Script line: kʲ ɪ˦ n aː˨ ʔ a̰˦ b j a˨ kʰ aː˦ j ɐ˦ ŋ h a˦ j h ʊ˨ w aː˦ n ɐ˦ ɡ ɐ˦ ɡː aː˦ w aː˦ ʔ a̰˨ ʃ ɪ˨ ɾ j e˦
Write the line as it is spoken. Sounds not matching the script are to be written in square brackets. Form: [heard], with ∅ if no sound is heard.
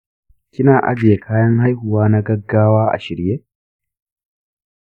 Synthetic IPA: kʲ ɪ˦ n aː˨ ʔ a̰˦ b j [e˨] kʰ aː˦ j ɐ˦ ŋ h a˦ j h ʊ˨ w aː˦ n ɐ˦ ɡ ɐ˦ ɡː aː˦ w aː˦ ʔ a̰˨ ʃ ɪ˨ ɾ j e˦